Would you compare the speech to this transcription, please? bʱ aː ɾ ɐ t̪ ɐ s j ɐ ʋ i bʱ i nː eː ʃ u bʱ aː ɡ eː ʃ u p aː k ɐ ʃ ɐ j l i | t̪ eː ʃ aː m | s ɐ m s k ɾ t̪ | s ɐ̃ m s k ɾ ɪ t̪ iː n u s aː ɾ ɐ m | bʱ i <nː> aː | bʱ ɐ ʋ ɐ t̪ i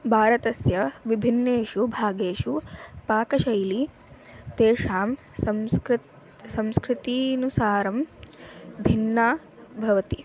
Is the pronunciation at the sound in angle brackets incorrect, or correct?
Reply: correct